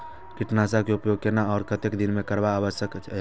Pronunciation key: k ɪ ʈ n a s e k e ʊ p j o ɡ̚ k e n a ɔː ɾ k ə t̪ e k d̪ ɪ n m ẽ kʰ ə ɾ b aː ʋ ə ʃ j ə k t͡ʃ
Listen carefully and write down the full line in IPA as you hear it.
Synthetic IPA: k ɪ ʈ n a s a k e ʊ p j o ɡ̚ k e n a ɔː ɾ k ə t̪ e k d̪ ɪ n m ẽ k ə ɾ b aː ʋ ə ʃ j ə k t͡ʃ